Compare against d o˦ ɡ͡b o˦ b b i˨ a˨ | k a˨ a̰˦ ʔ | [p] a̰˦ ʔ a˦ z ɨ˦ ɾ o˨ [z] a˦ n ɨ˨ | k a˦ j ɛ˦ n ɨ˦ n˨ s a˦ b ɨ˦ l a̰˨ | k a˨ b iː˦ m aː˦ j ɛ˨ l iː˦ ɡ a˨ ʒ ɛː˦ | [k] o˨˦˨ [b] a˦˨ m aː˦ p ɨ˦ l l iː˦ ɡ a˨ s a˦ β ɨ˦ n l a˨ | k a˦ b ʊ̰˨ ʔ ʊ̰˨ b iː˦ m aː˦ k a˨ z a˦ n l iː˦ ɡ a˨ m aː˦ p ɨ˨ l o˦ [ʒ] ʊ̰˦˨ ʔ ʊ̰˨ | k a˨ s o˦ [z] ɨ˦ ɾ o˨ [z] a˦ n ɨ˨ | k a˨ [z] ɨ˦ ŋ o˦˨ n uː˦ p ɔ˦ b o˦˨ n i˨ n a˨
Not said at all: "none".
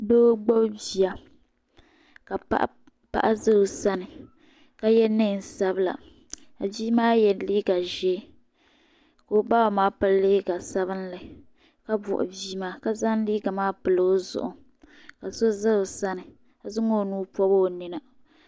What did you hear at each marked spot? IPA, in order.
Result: p, s, k, b, z, z, s, z

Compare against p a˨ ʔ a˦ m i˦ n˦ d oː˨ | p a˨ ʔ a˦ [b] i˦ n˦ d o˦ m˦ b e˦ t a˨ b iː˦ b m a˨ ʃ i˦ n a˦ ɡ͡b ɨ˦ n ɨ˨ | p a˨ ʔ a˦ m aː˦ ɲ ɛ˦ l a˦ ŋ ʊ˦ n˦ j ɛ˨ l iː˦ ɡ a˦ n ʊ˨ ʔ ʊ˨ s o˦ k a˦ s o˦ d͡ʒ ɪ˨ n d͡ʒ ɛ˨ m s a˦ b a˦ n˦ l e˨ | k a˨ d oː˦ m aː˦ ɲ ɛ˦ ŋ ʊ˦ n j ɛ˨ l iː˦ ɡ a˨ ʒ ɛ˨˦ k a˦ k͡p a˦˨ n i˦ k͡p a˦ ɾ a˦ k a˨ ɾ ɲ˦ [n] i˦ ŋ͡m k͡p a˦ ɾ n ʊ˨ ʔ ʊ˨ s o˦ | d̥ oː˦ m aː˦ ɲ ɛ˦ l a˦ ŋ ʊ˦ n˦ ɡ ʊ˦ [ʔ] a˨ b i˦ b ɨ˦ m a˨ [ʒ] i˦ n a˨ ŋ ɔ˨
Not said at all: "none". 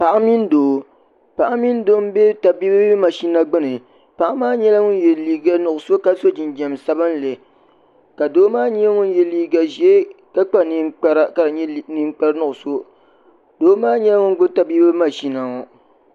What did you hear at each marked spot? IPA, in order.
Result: m, n, t, ʃ

